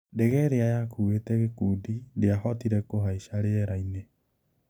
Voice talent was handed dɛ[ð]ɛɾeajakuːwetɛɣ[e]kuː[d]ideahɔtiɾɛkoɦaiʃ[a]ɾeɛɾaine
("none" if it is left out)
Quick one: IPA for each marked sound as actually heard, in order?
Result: ɣ, e, d, a

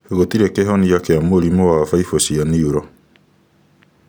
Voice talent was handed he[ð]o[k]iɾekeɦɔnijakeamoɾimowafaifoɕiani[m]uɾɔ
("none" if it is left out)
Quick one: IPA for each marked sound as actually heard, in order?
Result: ɣ, t, none

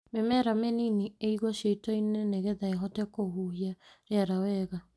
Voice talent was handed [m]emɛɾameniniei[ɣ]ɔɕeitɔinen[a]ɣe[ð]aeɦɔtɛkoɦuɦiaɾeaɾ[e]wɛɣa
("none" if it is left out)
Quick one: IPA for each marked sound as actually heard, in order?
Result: m, ɣ, e, ð, a

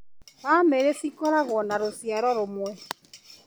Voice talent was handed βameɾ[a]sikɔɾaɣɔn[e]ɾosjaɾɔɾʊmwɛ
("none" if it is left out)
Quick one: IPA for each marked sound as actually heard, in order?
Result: e, a

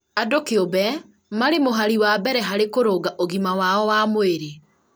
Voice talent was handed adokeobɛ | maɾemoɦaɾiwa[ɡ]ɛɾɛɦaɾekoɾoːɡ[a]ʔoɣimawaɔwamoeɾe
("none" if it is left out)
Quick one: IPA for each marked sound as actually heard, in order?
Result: b, a

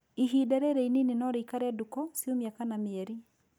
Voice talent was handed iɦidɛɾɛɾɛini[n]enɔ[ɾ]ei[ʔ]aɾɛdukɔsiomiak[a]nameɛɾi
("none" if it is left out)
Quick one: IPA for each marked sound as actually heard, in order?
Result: n, ɾ, k, a

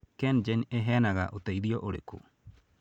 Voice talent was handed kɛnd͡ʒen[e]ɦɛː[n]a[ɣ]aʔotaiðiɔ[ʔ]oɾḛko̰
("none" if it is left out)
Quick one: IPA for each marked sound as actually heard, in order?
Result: e, n, ɣ, ʔ

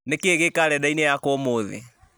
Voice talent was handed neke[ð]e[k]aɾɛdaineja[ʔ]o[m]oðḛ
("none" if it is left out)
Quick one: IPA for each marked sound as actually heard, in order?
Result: ɣ, k, k, m

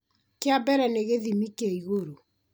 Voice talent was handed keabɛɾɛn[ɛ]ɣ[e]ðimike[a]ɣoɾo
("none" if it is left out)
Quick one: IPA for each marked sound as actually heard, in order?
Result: e, e, i

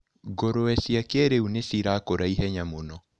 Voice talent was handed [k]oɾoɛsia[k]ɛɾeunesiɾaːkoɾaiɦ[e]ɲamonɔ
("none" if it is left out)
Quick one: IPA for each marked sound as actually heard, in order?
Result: ɡ, k, ɛ

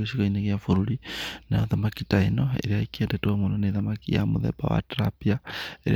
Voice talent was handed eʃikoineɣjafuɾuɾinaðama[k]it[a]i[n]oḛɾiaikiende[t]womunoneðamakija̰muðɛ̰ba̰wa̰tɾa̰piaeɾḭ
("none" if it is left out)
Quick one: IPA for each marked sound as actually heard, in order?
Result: k, a, n, t

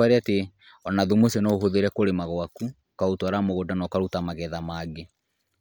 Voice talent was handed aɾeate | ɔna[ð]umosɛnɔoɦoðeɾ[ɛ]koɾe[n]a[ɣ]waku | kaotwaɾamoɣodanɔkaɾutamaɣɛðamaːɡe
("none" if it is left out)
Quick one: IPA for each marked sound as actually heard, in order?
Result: ð, ɛ, m, ɣ

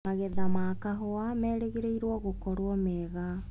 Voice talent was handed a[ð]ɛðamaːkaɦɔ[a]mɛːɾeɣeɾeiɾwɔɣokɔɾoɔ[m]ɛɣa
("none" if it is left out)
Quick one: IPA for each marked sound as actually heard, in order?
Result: ɣ, a, m

